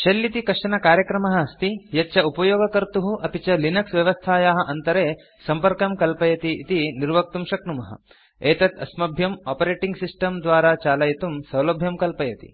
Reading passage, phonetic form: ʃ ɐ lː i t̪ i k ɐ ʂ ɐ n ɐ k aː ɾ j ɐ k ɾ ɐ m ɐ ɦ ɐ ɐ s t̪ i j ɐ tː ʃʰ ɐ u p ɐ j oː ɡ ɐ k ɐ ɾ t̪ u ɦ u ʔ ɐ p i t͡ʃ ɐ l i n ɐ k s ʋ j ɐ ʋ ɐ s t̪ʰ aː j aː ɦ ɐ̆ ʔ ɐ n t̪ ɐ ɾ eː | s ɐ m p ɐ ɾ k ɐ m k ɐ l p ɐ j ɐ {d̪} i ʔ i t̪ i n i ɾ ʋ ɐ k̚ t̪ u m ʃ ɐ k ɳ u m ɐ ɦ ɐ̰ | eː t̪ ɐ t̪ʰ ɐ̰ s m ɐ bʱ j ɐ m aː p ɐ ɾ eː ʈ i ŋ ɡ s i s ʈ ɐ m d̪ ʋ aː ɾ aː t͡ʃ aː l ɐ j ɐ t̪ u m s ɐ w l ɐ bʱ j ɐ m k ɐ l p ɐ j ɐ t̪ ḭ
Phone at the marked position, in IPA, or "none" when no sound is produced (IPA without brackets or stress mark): t̪